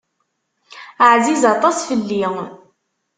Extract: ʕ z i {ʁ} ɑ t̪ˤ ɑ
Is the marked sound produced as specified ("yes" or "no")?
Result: no